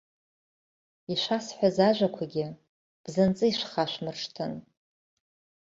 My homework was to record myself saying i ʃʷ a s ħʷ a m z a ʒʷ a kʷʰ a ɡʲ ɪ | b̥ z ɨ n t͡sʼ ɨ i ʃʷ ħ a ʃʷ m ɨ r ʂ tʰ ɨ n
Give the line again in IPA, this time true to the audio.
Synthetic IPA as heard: i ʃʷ a s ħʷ a z a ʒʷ a kʷʰ a ɡʲ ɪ | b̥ z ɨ n t͡sʼ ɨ i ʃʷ χ a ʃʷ m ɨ r ʂ tʰ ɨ n